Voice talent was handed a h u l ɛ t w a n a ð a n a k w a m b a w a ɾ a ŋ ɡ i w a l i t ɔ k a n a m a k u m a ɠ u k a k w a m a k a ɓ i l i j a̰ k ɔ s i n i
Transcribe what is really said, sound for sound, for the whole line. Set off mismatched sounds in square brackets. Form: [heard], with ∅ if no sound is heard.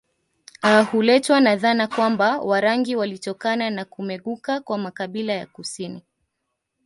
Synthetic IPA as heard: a h u l ɛ t w a n a ð a n a k w a m b a w a ɾ a ŋ ɡ i w a l i t ɔ k a n a [n] a k u m [ɛ] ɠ u k a k w a m a k a ɓ i l [a] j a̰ k [u] s i n i